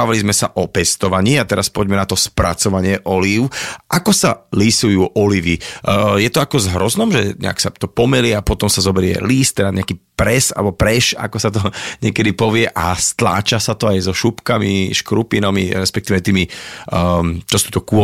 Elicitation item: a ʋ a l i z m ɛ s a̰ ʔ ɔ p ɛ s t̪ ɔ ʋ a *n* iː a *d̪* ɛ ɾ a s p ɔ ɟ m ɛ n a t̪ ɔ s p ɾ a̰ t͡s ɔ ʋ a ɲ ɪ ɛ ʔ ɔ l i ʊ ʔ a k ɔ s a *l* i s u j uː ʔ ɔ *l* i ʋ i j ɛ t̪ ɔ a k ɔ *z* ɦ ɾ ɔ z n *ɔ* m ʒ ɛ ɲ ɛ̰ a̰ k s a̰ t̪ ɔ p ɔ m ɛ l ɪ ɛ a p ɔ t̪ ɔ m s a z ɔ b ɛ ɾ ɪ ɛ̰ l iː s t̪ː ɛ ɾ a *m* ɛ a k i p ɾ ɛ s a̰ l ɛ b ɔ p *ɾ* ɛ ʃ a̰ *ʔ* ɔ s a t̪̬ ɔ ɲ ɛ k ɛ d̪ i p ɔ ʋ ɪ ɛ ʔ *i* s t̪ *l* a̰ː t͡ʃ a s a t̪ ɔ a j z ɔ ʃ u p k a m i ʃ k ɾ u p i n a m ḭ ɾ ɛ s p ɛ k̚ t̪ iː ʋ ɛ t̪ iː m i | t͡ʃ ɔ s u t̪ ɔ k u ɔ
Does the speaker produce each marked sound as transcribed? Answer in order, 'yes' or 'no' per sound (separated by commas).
no, no, yes, yes, yes, yes, no, yes, no, no, yes